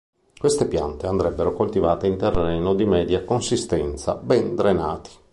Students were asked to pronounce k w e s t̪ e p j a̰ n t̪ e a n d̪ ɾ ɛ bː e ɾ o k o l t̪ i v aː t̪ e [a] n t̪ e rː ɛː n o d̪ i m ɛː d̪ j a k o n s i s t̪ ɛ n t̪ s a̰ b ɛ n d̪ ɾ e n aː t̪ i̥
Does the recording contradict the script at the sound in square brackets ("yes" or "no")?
yes